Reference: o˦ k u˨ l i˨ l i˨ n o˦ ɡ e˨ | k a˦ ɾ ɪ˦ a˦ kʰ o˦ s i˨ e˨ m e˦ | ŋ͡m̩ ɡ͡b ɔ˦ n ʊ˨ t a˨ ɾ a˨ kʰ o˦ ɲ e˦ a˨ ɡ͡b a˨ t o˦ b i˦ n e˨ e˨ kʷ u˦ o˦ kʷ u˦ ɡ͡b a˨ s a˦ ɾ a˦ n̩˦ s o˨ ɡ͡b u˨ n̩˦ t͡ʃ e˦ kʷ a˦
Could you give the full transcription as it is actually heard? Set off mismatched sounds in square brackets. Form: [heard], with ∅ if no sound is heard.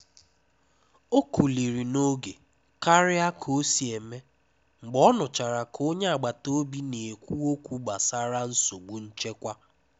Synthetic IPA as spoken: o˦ k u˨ l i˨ [ɾ] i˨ n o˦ ɡ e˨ | k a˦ ɾ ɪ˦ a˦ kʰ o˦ s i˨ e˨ m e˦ | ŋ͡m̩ ɡ͡b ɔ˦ n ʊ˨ [t͡ʃ] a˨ ɾ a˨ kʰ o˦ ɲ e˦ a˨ ɡ͡b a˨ t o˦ b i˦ n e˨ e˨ kʷ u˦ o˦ kʷ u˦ ɡ͡b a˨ s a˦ ɾ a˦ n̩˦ s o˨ ɡ͡b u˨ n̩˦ t͡ʃ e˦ kʷ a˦